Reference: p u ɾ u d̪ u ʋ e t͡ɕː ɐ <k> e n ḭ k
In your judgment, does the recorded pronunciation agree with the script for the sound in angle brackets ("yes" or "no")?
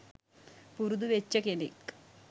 yes